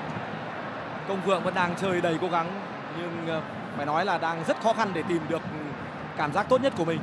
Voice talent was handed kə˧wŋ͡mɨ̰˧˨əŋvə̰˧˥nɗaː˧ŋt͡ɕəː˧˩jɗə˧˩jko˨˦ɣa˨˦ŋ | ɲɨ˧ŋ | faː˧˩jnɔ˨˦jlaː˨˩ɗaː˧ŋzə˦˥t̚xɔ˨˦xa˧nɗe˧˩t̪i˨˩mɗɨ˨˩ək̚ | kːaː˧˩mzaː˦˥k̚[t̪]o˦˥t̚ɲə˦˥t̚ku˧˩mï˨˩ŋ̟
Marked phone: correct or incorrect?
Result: correct